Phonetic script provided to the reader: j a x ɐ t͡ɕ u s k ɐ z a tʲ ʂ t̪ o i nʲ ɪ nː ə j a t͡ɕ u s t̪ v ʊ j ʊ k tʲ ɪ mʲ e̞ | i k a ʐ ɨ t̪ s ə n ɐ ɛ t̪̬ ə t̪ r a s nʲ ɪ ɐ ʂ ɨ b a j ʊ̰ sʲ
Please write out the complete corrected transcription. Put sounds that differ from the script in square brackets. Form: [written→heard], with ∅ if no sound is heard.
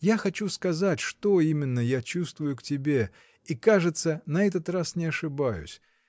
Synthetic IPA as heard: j a x ɐ t͡ɕ u s k ɐ z a tʲ ʂ t̪ o i [nʲ→mʲ] ɪ nː ə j a t͡ɕ u s t̪ v ʊ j ʊ k tʲ ɪ [mʲ→bʲ] e̞ | i k a ʐ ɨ t̪ s ə n ɐ ɛ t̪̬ ə t̪ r a s nʲ ɪ ɐ ʂ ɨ b a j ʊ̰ sʲ